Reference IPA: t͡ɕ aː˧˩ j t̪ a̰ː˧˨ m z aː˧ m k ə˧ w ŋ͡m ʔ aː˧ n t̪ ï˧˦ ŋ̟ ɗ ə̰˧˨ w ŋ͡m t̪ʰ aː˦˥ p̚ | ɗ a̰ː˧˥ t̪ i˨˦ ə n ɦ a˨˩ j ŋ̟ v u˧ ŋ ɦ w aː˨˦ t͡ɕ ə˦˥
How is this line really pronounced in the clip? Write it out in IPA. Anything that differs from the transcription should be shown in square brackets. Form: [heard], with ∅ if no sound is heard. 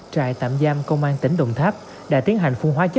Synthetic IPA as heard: t͡ɕ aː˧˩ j t̪ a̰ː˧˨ m z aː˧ m k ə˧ w ŋ͡m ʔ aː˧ n t̪ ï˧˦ ŋ̟ ɗ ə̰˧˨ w ŋ͡m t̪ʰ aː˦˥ p̚ | ɗ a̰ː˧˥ t̪ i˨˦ ə n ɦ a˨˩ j ŋ̟ [f] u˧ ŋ ɦ w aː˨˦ t͡ɕ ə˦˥